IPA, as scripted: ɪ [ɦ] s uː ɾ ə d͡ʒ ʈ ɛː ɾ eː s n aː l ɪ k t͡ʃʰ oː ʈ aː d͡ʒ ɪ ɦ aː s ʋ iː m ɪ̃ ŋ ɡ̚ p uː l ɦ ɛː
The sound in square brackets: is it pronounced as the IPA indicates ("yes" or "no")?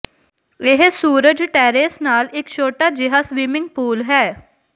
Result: yes